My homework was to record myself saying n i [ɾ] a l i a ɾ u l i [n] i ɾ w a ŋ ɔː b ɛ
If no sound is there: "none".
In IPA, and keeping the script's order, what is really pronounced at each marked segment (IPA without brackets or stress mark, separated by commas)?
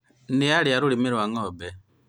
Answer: none, m